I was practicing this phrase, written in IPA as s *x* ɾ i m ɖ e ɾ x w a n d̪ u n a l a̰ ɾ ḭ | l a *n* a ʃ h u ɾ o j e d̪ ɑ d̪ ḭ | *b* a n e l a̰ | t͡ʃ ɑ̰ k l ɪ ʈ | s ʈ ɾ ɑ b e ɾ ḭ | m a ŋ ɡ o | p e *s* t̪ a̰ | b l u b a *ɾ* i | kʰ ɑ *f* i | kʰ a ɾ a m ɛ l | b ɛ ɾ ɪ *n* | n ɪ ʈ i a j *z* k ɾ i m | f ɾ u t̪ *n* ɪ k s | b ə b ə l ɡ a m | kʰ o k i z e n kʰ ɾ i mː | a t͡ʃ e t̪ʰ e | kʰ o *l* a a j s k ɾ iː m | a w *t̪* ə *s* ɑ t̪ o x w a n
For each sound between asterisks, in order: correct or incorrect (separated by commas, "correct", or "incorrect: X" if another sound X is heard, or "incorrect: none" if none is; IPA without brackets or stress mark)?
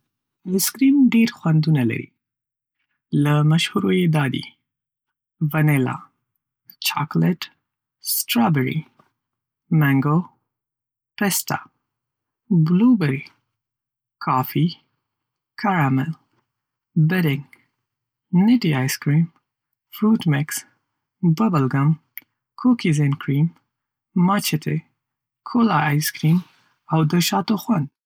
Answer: incorrect: k, incorrect: m, incorrect: v, correct, correct, correct, incorrect: ŋ, incorrect: s, incorrect: m, correct, incorrect: d̪, incorrect: ʃ